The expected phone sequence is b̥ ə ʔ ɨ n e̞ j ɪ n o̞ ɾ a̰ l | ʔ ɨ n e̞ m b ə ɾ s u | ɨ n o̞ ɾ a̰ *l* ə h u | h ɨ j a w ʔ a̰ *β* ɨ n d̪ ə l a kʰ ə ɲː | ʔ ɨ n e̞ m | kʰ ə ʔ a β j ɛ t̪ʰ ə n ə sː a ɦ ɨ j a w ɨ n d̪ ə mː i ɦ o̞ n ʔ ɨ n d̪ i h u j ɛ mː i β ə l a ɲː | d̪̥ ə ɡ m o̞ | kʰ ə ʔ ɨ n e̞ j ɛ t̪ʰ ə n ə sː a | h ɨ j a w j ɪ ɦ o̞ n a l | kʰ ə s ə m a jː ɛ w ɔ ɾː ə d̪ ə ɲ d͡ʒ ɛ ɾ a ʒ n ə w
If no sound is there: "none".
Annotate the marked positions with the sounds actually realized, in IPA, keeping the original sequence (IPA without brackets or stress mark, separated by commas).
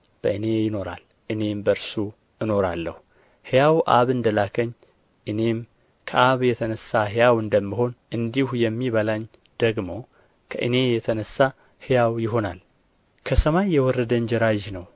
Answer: lː, β